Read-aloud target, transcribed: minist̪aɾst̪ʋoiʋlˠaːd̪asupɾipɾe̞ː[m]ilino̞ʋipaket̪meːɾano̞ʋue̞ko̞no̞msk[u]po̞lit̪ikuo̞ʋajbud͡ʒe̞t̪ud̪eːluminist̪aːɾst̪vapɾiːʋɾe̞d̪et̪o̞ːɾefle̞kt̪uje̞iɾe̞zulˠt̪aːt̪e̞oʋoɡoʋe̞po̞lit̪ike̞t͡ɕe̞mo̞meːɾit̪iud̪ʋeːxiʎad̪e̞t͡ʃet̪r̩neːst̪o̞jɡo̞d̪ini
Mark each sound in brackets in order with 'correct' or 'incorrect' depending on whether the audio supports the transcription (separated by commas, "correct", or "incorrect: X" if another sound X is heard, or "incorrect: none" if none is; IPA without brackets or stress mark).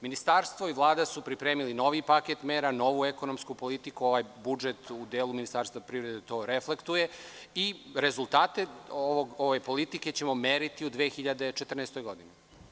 correct, correct